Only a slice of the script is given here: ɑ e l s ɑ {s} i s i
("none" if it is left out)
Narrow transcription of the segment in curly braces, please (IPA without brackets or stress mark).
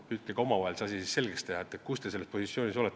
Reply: s